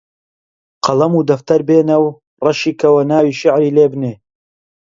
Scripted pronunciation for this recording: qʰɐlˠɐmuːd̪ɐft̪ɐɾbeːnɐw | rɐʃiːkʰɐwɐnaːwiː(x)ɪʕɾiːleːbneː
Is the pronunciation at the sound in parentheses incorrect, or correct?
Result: incorrect: ʃ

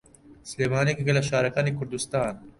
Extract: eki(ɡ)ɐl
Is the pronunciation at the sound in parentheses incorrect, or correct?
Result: correct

